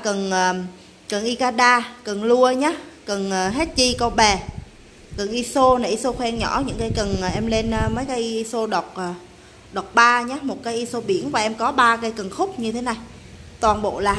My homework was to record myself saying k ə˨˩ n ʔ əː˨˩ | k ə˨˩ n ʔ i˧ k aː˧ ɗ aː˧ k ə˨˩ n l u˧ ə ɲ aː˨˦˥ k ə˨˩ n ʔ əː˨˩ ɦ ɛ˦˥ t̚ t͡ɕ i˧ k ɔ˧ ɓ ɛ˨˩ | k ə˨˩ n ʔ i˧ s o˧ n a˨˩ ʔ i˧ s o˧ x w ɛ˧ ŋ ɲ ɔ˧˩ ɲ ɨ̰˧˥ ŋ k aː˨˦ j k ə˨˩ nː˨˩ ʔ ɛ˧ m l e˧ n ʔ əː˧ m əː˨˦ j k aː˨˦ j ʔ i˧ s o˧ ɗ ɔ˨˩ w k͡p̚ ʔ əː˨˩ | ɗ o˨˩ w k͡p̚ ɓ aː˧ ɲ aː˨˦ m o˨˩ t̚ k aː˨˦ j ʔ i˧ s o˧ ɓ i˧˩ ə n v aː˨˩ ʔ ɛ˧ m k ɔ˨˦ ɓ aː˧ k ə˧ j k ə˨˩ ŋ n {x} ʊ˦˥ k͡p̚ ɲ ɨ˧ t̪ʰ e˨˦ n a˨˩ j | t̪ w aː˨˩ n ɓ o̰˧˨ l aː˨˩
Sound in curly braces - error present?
no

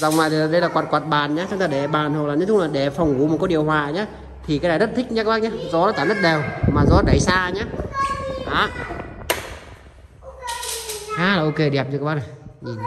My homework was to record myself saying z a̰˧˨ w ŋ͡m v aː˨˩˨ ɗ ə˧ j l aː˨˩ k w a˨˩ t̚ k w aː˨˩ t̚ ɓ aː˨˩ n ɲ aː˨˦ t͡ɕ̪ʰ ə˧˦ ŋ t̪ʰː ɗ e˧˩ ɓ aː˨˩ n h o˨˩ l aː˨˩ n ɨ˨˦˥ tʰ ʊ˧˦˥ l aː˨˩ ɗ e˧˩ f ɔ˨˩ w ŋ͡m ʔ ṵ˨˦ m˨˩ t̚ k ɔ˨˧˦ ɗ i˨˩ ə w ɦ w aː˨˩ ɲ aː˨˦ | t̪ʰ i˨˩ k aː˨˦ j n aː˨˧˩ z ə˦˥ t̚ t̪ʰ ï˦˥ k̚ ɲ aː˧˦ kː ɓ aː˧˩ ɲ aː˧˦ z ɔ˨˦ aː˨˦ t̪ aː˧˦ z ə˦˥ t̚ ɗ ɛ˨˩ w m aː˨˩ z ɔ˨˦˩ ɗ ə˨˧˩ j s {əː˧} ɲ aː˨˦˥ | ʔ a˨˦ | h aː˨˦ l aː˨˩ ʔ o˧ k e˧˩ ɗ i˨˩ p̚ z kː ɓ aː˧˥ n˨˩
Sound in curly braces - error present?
yes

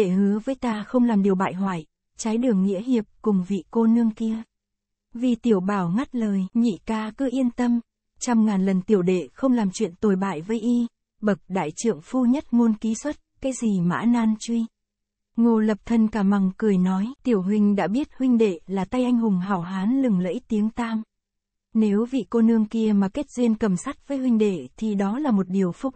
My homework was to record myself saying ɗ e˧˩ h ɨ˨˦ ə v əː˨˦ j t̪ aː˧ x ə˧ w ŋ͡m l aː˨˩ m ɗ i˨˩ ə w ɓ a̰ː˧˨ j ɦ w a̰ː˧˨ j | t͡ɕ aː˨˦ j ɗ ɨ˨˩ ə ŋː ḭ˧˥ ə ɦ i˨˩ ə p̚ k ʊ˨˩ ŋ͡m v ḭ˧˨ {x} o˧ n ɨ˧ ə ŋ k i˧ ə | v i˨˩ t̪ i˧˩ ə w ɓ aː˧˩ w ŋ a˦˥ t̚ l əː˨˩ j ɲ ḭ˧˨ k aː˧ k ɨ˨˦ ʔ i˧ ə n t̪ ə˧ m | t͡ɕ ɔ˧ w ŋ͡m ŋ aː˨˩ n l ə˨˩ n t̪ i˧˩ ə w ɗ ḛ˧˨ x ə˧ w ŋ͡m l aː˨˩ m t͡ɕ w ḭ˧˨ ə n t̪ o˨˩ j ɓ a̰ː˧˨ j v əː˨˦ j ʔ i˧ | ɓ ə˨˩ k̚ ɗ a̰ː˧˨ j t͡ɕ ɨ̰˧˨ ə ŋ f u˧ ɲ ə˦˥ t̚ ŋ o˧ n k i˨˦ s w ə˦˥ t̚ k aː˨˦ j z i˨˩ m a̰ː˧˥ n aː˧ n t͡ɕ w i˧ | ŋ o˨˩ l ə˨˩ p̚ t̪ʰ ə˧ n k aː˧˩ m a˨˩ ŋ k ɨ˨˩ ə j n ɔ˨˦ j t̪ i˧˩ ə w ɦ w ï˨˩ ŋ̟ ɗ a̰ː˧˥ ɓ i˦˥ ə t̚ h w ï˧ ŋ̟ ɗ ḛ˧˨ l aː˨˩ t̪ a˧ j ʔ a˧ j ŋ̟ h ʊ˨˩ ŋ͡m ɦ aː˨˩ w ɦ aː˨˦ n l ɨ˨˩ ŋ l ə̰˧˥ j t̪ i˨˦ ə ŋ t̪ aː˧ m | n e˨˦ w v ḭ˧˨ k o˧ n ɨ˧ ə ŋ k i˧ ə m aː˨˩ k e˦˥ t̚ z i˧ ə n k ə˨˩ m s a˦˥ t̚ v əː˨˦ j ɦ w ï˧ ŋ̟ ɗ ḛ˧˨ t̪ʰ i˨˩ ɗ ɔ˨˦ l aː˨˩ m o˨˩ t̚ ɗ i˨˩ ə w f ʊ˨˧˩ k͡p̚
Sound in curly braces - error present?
yes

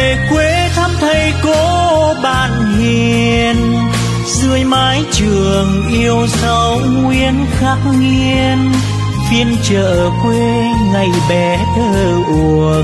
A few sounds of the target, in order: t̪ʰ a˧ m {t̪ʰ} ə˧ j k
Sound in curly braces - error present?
no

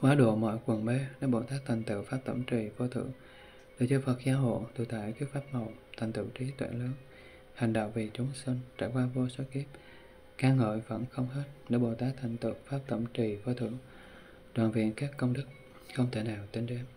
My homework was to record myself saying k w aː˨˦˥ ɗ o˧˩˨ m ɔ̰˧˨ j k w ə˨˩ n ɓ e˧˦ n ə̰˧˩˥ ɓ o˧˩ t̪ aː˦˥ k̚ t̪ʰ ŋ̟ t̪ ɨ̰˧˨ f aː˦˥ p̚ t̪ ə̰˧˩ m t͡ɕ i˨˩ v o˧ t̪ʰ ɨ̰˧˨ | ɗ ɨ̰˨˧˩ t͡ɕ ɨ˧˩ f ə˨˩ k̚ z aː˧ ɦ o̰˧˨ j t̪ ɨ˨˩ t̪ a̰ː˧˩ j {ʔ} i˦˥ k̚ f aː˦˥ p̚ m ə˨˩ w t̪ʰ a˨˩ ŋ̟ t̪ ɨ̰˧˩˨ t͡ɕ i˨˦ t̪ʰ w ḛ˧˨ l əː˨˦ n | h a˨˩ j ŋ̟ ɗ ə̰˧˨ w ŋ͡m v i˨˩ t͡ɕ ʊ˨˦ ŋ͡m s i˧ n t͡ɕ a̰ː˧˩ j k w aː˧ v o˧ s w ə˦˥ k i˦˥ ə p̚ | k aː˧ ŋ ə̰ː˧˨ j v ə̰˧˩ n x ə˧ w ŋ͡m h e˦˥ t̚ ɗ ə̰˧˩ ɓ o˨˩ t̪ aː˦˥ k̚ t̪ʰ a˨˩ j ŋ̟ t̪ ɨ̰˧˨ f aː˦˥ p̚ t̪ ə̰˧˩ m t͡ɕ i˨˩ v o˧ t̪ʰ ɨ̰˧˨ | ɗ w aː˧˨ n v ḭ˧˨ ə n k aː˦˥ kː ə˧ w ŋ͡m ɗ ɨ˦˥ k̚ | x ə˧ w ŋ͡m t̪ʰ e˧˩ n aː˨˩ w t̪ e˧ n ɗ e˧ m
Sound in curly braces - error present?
yes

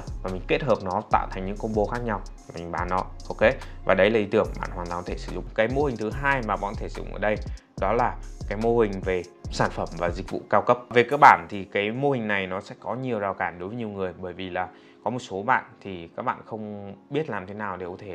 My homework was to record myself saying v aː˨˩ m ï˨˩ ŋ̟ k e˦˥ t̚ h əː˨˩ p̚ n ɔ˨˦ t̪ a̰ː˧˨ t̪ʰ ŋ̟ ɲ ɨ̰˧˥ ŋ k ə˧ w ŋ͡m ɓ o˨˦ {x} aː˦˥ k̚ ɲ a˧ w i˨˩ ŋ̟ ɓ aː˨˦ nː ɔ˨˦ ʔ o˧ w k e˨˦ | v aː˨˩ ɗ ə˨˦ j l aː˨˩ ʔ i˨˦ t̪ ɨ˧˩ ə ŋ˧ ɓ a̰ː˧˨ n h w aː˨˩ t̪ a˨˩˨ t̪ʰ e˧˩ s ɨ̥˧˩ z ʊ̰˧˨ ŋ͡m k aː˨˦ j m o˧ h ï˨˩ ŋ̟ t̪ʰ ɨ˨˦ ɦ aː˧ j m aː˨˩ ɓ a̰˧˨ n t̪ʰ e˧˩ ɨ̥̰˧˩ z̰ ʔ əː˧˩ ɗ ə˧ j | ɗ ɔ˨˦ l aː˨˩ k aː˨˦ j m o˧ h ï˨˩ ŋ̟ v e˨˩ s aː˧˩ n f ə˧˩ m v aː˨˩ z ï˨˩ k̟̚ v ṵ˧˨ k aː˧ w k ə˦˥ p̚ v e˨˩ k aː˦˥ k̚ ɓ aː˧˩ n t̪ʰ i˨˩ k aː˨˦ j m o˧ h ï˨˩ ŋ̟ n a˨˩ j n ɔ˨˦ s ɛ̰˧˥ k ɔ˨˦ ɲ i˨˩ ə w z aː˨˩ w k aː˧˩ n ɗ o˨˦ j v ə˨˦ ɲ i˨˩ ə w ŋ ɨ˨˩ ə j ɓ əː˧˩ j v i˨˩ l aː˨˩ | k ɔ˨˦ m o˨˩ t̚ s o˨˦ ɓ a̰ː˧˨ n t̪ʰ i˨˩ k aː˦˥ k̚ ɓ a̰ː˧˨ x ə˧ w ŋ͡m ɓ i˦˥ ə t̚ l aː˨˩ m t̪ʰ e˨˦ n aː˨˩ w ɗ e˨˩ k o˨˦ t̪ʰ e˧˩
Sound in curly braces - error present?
no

